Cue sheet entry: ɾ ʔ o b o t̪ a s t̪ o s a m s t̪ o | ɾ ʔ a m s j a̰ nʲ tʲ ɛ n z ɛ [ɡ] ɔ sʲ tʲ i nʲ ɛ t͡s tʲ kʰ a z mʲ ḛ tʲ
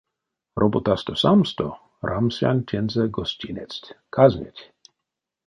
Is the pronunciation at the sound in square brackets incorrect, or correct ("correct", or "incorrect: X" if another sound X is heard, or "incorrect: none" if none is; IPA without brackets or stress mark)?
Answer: correct